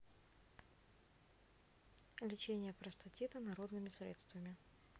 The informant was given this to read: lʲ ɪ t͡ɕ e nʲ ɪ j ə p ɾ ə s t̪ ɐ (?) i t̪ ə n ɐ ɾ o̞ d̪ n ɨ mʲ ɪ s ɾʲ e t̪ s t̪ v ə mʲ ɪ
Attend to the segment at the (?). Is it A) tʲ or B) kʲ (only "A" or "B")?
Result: A